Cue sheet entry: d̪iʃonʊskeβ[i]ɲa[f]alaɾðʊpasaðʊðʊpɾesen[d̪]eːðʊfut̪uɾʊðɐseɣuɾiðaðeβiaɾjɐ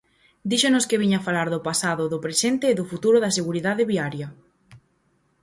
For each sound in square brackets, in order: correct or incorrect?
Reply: correct, correct, incorrect: t̪

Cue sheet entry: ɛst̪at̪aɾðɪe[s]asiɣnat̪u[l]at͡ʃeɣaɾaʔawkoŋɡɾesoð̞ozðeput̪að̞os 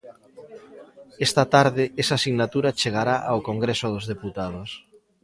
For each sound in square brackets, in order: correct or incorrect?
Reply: correct, incorrect: ɾ

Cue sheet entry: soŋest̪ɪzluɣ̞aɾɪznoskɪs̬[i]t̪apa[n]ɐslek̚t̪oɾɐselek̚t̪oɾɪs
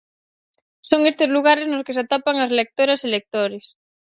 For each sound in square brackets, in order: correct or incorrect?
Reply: incorrect: a, incorrect: ŋ

